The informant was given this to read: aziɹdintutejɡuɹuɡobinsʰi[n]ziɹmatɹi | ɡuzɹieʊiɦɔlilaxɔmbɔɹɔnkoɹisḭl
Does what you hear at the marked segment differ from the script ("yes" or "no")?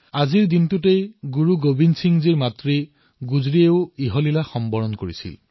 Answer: yes